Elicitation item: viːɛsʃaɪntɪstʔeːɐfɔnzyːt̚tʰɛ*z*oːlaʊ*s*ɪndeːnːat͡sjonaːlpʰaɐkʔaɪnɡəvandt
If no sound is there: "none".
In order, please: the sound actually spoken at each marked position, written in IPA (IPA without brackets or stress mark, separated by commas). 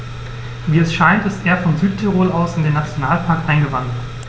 ʁ, s